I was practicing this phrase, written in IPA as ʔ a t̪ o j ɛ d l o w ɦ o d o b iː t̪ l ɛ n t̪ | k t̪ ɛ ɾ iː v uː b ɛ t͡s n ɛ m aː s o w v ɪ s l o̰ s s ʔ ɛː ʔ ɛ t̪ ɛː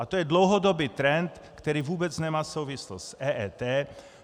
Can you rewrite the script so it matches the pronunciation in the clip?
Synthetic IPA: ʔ a t̪ o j ɛ d l o w ɦ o d o b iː t̪ ɾ ɛ n t̪ | k t̪ ɛ ɾ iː v uː b ɛ t͡s n ɛ m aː s o w v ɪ s l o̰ s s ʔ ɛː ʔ ɛ t̪ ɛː